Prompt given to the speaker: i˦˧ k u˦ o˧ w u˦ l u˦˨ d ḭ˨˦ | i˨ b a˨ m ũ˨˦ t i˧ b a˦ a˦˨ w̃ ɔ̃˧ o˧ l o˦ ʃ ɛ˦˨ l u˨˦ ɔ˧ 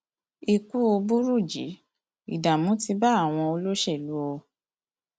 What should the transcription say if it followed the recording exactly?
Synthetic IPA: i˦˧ k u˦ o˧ b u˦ ɾ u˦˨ d͡ʒ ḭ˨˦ | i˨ d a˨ m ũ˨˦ t i˧ b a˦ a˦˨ w̃ ɔ̃˧ o˧ l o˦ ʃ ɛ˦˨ l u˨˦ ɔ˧